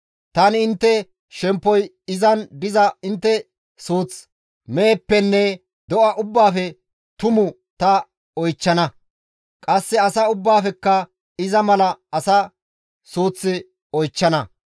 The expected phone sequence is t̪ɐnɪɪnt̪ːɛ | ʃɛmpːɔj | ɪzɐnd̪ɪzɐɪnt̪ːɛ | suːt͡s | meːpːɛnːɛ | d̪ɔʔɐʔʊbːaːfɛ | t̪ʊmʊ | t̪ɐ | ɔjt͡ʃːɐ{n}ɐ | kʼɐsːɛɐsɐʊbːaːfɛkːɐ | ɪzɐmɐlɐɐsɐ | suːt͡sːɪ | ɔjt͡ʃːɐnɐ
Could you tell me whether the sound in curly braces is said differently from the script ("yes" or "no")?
no